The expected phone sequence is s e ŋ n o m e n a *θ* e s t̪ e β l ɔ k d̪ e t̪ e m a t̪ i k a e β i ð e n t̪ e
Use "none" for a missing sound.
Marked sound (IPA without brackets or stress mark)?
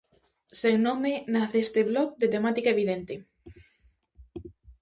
θ